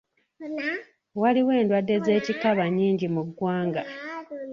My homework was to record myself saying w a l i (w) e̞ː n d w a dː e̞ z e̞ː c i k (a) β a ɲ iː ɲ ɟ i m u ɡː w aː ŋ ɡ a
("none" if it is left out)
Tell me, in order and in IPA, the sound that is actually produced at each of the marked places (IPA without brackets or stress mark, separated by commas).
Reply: w, a